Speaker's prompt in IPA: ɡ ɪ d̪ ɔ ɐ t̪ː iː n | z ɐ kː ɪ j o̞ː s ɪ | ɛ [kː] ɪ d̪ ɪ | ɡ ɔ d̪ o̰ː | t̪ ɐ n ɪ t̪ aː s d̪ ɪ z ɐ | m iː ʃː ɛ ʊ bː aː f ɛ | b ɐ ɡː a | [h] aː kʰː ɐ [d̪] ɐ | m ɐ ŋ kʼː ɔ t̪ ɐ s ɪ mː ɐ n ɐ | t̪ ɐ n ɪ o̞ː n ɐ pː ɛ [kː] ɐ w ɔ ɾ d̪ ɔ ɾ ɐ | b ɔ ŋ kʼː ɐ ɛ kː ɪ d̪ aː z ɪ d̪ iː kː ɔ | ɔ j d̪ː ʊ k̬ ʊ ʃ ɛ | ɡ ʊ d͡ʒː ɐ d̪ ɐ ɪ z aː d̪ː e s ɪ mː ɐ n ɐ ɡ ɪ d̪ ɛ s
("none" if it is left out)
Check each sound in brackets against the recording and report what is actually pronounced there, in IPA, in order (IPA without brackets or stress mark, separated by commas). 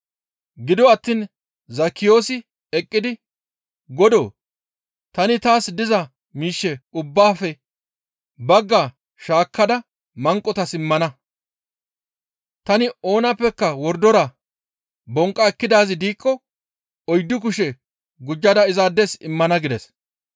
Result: kʼː, ʃ, d̪, kː